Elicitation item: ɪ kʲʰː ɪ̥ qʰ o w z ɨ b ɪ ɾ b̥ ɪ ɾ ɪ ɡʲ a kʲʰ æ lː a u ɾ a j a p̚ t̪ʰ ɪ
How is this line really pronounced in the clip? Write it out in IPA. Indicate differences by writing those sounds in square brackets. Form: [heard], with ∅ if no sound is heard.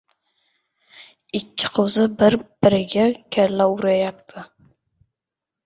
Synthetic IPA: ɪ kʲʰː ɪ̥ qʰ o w z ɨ b ɪ ɾ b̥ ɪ ɾ ɪ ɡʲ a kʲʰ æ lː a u ɾ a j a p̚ t̪ʰ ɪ